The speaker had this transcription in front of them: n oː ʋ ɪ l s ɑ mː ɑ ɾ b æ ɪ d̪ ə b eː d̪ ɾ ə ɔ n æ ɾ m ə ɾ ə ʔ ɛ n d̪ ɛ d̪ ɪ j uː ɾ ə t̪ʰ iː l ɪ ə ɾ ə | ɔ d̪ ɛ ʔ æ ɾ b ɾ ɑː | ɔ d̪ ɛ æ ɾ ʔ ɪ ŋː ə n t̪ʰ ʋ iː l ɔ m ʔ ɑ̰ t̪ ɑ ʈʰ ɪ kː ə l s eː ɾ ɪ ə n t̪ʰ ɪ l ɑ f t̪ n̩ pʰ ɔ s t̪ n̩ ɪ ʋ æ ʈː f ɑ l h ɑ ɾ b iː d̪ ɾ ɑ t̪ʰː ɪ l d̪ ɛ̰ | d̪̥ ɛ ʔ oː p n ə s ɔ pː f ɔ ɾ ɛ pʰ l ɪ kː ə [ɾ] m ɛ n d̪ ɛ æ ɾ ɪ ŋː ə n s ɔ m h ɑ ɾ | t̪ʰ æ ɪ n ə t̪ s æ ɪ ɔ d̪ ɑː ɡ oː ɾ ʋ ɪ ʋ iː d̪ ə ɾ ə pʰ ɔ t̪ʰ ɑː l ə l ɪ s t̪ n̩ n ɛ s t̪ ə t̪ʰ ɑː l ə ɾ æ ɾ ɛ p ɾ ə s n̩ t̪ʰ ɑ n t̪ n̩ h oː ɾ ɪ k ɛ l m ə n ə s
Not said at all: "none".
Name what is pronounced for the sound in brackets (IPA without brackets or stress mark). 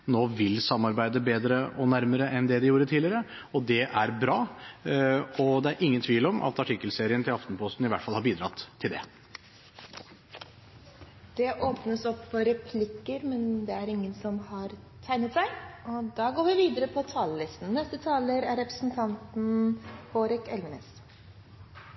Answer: ɾ